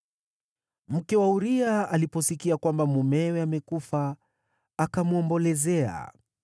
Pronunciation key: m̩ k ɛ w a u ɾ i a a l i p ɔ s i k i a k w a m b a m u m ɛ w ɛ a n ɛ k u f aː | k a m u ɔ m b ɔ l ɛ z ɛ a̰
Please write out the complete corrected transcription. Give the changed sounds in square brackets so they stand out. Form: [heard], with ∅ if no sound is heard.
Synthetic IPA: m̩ k ɛ w a u ɾ i a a l i p ɔ s i k i a k w a m b a m u m ɛ w ɛ a [m] ɛ k u f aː | k a m u ɔ m b ɔ l ɛ z ɛ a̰

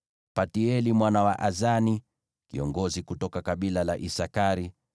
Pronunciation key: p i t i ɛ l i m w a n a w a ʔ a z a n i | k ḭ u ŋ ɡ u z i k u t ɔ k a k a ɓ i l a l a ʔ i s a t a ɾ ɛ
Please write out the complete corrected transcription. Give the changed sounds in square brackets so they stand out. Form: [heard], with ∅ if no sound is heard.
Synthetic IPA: p [a] t i ɛ l i m w a n a w a ʔ a z a n i | k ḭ [ɔ] ŋ ɡ [ɔ] z i k u t ɔ k a k a ɓ i l a l a ʔ i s a [k] a ɾ [i]

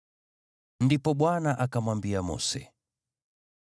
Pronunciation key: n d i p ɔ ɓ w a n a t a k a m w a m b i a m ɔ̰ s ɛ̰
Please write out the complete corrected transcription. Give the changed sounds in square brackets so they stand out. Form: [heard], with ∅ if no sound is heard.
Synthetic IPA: n d i p ɔ ɓ w a n a [ʔ] a k a m w a m b i a m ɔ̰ s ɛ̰

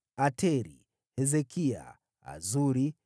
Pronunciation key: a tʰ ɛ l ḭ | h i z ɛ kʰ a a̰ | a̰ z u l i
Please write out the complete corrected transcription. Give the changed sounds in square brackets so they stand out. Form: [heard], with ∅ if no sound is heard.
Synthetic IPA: a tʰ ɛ [ɾ] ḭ | h [ɛ] z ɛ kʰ [i] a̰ | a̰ z u [ɾ] i

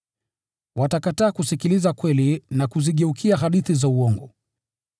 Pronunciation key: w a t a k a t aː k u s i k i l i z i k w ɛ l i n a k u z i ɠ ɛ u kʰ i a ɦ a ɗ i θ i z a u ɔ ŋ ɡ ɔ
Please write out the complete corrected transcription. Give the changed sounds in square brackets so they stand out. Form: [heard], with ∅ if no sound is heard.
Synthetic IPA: w a t a k a t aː k u s i k i l i z [a] k w ɛ l i n a k u z i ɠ ɛ u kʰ i a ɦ a ɗ i θ i z a u ɔ ŋ ɡ ɔ

